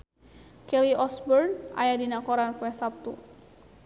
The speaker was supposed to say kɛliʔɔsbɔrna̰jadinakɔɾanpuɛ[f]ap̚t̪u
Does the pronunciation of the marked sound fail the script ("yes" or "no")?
yes